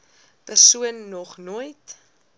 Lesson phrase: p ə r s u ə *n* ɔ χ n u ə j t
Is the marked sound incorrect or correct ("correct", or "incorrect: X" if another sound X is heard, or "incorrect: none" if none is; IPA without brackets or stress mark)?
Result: incorrect: nː